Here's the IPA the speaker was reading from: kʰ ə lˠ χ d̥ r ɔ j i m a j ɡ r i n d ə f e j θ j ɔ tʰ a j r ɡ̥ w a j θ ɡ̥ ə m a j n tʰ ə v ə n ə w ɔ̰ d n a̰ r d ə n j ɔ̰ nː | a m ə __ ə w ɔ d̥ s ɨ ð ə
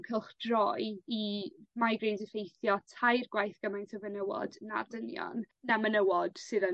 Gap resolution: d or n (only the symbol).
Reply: n